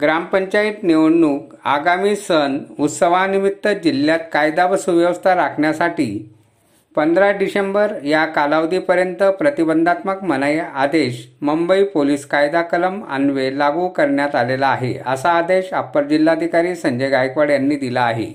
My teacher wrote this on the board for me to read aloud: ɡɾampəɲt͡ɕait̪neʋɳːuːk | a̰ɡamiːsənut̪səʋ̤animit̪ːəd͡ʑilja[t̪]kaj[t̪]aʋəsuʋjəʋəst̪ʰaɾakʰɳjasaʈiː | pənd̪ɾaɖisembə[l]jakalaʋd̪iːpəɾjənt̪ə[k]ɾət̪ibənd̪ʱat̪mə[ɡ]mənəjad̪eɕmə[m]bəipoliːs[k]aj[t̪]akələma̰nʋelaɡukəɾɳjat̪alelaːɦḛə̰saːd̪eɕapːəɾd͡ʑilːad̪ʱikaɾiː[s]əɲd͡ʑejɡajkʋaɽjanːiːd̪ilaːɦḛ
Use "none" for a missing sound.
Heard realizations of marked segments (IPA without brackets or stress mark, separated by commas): t̪, d̪, ɾ, p, k, m, k, d̪, s